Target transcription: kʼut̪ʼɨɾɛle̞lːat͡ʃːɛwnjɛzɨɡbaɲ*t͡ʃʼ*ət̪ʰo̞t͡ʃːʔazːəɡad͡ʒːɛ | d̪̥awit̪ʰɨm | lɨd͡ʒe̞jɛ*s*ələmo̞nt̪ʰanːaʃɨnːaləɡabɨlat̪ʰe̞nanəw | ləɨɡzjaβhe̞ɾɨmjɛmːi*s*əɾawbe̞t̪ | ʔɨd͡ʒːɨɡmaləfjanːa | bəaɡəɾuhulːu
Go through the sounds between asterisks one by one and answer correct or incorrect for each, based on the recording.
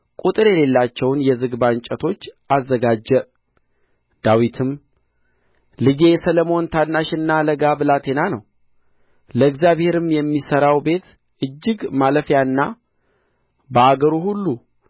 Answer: correct, correct, correct

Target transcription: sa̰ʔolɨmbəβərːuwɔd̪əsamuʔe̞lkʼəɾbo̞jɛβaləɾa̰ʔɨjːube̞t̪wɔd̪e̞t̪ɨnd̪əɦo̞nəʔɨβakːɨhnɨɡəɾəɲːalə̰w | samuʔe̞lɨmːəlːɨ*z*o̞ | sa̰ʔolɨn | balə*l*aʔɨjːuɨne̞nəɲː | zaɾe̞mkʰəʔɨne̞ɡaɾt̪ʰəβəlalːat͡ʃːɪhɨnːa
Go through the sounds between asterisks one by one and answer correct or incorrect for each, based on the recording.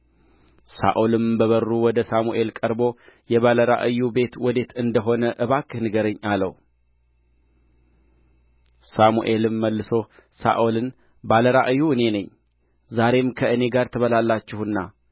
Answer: incorrect: s, incorrect: ɾ

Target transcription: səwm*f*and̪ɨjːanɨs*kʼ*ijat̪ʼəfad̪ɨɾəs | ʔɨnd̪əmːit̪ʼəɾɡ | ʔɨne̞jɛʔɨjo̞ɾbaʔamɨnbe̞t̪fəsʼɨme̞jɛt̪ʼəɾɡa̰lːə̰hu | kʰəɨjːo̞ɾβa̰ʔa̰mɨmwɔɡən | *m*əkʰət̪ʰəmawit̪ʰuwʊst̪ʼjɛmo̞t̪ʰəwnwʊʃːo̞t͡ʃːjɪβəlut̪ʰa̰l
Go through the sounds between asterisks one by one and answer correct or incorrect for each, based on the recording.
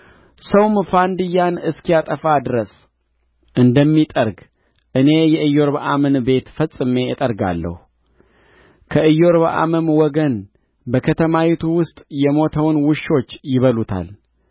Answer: correct, incorrect: k, incorrect: b

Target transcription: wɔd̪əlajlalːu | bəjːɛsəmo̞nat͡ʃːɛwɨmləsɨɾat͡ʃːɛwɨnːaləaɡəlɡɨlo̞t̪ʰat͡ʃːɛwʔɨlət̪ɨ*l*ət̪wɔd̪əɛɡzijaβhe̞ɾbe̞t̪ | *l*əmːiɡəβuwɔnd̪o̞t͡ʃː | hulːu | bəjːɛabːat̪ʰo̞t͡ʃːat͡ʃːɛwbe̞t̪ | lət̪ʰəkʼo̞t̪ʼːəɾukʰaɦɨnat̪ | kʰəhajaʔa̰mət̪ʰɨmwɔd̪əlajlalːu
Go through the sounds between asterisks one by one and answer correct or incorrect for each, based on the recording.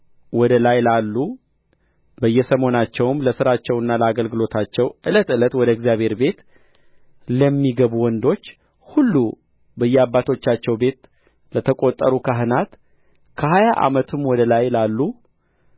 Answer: correct, correct

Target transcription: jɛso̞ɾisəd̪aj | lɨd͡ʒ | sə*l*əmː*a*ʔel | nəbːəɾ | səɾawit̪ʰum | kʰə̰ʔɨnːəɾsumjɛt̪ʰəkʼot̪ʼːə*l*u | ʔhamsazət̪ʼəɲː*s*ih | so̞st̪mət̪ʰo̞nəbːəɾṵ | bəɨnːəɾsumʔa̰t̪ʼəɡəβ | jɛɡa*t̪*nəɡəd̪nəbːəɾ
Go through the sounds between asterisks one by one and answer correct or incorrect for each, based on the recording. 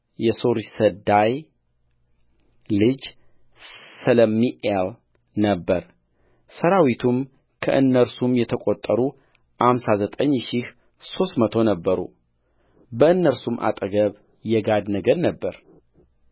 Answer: correct, incorrect: i, incorrect: ɾ, incorrect: ʃ, incorrect: d̪

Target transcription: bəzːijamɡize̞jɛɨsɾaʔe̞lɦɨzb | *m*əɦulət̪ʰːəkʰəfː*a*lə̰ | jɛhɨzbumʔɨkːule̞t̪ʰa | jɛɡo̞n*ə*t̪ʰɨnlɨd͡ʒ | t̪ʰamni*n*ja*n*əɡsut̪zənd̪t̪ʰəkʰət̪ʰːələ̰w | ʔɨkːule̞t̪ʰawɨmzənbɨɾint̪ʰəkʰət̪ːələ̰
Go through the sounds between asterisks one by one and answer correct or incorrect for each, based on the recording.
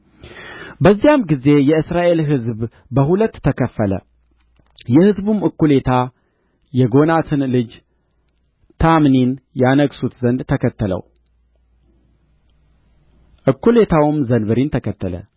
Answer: incorrect: b, incorrect: ə, incorrect: a, correct, correct

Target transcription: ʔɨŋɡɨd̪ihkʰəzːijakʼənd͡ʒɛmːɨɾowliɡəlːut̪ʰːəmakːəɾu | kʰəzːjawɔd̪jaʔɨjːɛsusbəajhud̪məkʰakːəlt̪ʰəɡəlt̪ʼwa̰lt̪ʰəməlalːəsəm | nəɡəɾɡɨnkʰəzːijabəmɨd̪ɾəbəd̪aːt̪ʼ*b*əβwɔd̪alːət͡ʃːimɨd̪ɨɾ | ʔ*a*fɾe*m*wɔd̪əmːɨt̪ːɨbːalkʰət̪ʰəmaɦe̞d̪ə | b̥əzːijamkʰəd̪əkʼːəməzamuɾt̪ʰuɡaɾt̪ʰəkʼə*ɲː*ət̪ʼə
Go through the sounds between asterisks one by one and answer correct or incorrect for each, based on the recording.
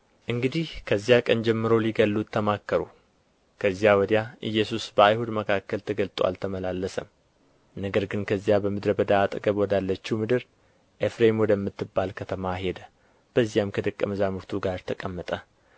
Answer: incorrect: ɡ, incorrect: e, correct, incorrect: mː

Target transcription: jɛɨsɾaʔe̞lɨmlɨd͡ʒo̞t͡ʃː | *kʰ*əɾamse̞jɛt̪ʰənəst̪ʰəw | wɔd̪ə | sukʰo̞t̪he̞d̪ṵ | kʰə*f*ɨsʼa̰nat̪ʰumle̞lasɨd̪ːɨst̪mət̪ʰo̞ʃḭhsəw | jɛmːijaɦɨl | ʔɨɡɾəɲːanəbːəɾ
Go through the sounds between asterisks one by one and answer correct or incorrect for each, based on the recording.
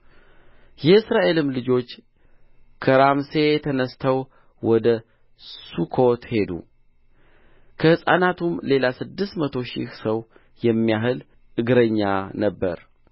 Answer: correct, incorrect: h

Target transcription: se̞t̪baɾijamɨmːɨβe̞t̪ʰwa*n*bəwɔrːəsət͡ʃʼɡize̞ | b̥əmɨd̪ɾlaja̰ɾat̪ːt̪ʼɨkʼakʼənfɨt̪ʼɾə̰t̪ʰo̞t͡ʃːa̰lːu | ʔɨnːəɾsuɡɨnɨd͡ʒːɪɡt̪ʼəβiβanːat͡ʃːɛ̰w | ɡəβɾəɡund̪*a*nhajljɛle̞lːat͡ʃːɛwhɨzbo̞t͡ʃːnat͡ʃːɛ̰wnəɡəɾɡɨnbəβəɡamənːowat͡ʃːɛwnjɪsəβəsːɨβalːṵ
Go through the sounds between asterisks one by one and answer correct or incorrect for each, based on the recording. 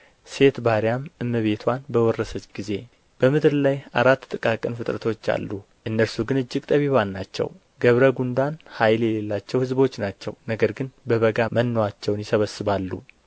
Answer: correct, correct

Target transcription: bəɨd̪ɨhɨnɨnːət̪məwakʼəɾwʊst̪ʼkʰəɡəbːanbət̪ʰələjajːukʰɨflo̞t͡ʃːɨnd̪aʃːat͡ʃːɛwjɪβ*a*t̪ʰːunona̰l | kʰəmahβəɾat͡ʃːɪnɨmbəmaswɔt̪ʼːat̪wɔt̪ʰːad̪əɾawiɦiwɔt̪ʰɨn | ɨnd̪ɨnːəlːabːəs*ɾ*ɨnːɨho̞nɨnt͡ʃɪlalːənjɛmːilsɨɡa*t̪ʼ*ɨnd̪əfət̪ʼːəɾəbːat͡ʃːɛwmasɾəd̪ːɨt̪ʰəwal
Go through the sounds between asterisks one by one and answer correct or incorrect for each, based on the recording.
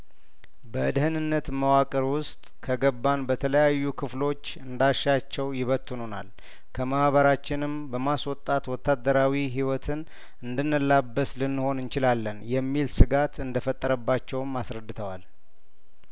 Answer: incorrect: ə, incorrect: l, incorrect: t̪

